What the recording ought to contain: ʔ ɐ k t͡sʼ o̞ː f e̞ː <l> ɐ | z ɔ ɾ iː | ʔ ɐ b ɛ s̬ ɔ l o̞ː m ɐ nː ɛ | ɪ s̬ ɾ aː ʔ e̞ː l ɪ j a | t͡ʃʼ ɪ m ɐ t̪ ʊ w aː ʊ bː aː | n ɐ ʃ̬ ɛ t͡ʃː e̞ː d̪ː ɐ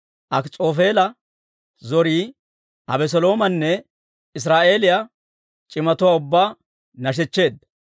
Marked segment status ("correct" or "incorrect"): correct